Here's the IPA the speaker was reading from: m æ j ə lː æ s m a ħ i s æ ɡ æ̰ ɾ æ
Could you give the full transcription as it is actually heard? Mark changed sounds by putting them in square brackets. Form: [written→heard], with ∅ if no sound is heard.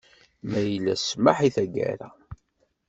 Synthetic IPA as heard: m æ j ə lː æ s m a ħ i [s→θ] æ ɡ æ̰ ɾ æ